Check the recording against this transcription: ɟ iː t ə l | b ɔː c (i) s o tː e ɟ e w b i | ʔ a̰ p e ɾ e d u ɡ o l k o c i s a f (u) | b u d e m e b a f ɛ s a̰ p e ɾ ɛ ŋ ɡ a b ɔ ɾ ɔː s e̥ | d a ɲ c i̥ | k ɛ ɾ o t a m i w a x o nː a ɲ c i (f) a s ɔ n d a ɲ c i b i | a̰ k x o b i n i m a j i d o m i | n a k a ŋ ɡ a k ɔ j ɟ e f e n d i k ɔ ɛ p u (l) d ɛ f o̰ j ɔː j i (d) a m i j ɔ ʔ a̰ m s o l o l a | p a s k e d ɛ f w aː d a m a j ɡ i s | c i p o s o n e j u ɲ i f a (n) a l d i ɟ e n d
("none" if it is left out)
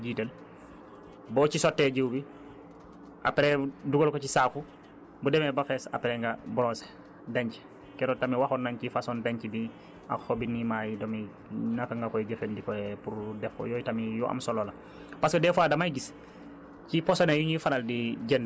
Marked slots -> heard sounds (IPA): i, u, f, ɾ, t, n

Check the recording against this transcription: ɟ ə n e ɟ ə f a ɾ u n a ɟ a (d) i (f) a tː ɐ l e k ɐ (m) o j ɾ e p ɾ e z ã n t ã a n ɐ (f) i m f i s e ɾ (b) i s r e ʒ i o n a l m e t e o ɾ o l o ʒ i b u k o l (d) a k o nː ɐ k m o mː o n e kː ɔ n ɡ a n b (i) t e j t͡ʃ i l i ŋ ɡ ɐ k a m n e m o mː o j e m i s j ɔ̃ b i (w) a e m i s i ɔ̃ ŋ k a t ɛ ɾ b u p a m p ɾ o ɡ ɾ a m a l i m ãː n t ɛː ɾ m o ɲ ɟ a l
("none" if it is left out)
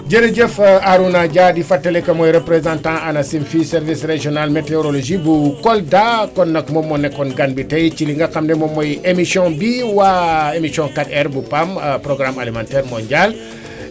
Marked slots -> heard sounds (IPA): d, f, m, s, v, d, i, w

